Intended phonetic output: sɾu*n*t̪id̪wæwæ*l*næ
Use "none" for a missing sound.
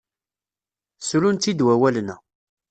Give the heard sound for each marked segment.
n, l

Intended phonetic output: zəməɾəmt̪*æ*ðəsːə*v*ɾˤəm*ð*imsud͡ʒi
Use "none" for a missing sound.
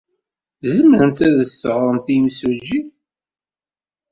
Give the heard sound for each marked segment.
æ, ʁ, θ

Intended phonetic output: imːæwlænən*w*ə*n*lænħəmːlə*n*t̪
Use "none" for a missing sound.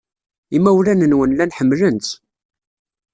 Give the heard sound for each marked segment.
w, n, n

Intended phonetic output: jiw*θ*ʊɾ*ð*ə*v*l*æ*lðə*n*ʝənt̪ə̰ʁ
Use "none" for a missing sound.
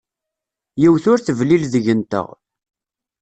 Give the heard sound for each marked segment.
θ, θ, v, i, none

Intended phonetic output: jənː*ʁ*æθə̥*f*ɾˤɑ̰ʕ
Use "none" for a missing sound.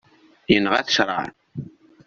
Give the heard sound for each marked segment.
ʁ, ʃ

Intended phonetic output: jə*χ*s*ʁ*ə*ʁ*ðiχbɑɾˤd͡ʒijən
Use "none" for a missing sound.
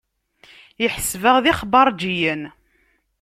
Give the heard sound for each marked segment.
ħ, v, ʁ

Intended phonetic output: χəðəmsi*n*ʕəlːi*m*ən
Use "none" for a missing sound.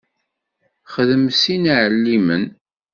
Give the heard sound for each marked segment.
n, m

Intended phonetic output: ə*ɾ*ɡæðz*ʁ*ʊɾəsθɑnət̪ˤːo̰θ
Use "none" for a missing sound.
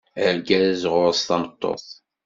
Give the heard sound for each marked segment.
ɾ, ʁ

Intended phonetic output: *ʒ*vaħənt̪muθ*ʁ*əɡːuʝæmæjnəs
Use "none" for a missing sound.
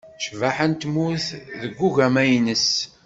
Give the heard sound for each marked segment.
ʃ, ð

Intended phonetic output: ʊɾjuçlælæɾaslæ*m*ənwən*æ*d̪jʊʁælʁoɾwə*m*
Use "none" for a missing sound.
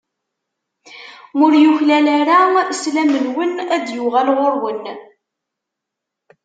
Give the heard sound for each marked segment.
m, æ, n

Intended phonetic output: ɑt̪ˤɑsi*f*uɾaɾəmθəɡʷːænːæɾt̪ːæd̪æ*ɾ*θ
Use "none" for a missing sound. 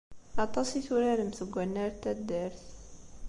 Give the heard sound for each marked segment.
θ, ɾ

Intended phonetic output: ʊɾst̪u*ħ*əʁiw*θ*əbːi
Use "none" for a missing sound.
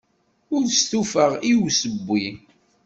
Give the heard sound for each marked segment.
f, s

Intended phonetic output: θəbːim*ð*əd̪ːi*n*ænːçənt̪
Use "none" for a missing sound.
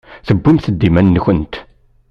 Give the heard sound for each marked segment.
θ, m

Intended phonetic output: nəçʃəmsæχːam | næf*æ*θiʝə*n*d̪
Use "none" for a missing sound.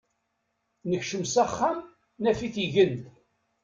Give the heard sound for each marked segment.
i, n

